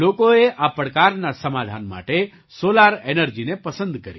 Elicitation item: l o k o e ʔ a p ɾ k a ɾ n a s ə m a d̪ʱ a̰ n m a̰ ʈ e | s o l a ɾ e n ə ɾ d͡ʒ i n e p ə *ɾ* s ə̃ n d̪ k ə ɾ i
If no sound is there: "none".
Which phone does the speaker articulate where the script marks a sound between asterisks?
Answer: none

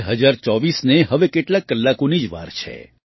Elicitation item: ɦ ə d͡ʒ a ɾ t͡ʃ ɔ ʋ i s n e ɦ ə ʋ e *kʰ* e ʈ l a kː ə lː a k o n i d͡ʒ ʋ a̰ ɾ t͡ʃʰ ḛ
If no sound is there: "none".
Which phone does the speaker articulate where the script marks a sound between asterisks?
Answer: k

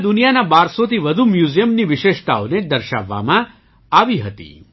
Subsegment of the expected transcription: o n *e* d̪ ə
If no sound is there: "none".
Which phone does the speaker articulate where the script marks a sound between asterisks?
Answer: e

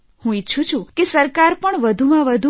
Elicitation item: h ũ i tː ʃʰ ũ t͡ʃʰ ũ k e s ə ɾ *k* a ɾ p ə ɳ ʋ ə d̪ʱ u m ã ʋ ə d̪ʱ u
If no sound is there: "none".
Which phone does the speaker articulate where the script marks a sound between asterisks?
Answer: k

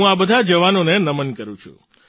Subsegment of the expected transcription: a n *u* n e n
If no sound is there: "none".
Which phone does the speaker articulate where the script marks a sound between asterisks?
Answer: o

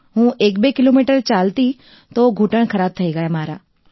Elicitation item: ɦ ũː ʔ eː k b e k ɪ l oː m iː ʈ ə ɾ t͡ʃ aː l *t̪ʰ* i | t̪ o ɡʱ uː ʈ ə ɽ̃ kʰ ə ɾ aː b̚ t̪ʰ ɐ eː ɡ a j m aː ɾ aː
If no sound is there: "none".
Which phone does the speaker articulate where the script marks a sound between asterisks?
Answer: t̪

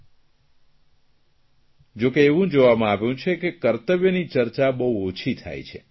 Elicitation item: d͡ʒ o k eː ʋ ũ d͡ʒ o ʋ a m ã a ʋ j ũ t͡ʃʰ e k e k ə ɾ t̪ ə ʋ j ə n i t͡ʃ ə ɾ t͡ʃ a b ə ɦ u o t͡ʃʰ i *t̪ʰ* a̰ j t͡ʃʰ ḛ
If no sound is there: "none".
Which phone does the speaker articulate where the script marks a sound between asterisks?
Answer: t̪ʰ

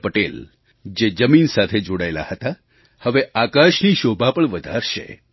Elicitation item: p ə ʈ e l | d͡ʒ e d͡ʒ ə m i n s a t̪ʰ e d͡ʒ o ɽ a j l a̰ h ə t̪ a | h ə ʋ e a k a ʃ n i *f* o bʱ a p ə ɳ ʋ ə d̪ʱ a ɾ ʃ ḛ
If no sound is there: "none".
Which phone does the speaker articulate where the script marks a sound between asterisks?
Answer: ʃ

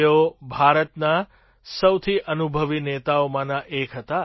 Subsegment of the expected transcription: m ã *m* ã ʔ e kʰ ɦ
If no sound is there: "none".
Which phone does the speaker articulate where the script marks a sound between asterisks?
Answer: n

